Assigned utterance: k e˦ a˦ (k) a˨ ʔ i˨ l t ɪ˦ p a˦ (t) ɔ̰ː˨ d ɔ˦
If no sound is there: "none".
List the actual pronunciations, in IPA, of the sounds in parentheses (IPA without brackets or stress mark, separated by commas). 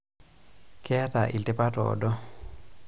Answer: t, t